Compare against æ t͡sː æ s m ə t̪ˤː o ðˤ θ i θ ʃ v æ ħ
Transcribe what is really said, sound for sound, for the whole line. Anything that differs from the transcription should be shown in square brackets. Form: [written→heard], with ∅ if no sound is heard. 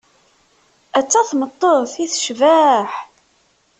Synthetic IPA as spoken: æ t͡sː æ [s→θ] m ə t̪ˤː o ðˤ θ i θ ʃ v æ ħ